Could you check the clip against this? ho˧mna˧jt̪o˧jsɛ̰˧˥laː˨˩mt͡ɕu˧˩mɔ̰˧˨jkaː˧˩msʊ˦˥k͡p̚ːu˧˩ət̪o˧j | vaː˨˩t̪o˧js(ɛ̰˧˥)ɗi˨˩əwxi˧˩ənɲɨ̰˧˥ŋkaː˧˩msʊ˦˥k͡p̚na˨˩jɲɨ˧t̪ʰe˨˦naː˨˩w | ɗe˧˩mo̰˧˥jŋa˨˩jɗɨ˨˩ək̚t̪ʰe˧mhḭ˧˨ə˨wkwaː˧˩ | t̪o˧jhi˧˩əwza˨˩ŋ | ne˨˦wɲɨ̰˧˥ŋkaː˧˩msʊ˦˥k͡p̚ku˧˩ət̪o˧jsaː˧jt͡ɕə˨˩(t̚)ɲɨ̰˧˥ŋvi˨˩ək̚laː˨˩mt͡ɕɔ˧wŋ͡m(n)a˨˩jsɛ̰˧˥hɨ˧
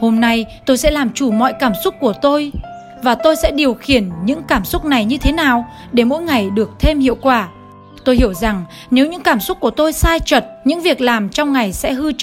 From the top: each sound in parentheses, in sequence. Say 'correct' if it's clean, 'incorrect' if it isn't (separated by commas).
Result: correct, correct, incorrect